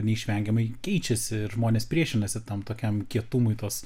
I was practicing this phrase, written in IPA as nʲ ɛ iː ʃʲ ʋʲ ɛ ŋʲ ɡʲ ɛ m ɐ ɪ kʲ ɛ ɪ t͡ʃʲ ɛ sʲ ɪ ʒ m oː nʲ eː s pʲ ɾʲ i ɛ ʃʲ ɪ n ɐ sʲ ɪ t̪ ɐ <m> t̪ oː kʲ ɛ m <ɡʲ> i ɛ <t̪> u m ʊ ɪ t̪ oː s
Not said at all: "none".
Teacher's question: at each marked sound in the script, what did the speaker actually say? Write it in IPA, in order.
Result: m, kʲ, t̪

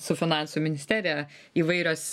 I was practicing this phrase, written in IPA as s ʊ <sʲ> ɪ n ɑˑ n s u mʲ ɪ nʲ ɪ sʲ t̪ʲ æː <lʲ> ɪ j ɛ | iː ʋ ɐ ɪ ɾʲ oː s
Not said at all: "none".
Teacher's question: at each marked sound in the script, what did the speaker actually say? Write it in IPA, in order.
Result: fʲ, ɾʲ

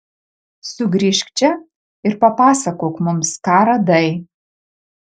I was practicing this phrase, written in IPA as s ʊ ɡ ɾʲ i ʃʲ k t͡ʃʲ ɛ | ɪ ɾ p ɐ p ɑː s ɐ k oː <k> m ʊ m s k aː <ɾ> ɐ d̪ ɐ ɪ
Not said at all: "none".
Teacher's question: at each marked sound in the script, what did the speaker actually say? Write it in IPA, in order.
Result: k, ɾ

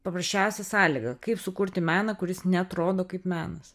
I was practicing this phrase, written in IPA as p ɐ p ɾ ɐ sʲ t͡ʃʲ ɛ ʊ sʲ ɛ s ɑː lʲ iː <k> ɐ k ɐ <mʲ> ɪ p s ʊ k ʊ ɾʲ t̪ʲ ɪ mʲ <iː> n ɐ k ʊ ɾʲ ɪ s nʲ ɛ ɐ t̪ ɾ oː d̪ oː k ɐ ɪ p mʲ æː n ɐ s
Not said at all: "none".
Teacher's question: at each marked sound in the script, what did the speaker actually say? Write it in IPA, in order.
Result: ɡ, none, æː

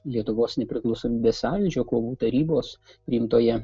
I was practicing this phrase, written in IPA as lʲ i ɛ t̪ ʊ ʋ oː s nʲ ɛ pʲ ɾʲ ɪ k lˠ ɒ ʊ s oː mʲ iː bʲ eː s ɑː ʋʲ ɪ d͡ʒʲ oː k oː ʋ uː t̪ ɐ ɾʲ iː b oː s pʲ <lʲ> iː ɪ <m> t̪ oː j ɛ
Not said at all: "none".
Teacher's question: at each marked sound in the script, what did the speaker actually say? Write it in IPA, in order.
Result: ɾʲ, m

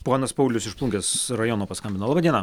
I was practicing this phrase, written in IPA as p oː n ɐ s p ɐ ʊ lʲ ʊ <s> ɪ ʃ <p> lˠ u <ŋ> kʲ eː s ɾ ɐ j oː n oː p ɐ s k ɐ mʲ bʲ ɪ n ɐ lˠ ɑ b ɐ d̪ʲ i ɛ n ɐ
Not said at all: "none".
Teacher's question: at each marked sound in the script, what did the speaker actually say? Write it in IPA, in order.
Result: s, p, ŋ

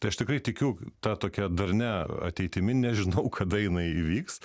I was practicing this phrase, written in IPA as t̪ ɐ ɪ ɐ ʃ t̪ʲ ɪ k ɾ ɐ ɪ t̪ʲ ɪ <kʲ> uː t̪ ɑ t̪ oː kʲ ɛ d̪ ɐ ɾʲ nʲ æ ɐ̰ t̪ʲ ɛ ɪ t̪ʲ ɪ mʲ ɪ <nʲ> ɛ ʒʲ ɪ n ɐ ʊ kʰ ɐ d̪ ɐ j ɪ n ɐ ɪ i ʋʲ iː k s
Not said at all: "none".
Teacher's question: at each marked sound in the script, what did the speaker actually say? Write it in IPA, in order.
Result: kʲ, nʲ

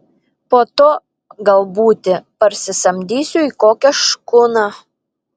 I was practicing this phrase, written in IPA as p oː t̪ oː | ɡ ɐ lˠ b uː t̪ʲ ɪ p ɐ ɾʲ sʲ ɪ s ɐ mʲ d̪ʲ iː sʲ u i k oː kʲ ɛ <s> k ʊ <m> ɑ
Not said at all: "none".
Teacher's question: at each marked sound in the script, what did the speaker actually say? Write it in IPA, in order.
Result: ʃ, n

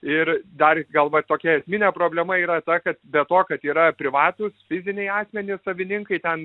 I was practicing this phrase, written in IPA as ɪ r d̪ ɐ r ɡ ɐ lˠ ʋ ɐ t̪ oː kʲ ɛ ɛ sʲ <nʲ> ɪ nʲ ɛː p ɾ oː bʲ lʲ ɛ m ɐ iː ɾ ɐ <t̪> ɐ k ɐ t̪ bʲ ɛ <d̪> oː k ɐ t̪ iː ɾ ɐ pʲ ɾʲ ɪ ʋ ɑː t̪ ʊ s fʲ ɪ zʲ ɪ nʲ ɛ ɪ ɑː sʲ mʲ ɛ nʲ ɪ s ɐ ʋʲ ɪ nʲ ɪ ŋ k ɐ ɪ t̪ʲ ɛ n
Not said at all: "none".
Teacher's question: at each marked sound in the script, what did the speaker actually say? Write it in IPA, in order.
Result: mʲ, t̪, t̪

